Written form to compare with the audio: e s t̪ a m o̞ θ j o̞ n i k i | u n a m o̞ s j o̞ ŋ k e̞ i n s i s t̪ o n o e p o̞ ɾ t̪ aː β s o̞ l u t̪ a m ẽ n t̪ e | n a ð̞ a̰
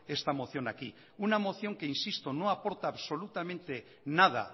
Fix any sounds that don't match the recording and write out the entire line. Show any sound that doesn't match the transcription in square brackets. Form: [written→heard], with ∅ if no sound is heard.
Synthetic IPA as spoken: e s t̪ a m o̞ θ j o̞ n [i→a] k i | u n a m o̞ [s→θ] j o̞ ŋ k e̞ i n s i s t̪ o n o [e→a] p o̞ ɾ t̪ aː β s o̞ l u t̪ a m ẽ n t̪ e | n a ð̞ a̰